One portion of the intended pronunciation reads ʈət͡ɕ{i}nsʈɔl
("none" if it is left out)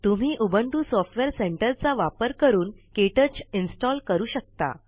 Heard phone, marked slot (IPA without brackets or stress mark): i